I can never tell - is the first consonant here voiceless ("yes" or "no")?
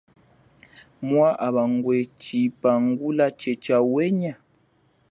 no